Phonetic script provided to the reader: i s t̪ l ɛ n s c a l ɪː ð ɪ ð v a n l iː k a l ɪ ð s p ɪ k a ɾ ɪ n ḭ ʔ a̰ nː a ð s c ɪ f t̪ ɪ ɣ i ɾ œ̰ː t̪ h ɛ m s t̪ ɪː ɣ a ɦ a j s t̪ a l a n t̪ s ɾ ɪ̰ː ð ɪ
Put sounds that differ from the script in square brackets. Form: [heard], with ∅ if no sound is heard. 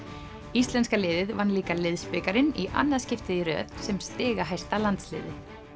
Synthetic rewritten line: i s t̪ l ɛ n s [k] a l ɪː ð ɪ ð v a n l iː k a l ɪ ð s p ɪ k a ɾ ɪ n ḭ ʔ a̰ nː a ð s c ɪ f t̪ ɪ [ð] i ɾ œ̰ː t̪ [s] ɛ m s t̪ ɪː ɣ a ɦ a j s t̪ a l a n t̪ s [l] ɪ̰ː ð ɪ